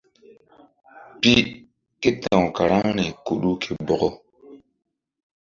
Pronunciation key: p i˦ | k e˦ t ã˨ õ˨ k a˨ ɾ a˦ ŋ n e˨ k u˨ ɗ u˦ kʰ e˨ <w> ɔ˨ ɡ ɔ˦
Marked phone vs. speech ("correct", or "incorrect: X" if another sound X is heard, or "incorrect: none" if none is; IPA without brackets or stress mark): incorrect: b